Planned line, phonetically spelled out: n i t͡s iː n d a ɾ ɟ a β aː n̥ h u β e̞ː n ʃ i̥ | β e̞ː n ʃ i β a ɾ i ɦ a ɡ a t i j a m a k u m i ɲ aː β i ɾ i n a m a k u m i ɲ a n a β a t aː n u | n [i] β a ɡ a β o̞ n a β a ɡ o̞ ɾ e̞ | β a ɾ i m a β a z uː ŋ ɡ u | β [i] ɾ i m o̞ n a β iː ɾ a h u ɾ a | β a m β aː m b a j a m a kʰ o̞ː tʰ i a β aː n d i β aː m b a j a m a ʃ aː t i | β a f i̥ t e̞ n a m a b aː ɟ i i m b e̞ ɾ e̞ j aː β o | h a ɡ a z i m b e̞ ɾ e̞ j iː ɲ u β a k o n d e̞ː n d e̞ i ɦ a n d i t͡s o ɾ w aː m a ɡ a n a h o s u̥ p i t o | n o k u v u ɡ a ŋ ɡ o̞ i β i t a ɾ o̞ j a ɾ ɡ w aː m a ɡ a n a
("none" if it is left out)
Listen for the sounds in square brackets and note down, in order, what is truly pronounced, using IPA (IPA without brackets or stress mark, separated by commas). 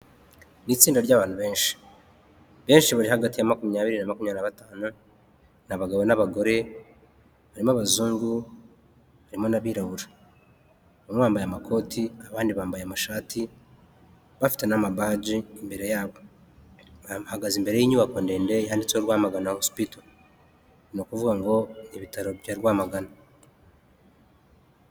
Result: a, a